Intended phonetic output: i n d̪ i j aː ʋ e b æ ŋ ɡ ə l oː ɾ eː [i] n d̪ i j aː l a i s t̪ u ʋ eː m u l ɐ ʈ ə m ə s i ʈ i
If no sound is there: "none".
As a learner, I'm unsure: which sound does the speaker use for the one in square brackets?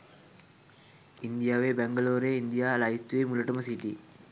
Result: i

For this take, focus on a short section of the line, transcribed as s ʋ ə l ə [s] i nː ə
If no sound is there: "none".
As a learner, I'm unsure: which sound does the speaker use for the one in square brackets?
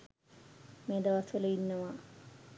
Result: none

